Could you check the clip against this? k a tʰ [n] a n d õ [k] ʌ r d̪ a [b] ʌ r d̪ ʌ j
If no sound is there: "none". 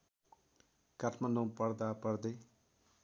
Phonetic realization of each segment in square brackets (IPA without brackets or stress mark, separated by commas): m, p, p